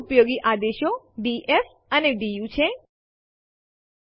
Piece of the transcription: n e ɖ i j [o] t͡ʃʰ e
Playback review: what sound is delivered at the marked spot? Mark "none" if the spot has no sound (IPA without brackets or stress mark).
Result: u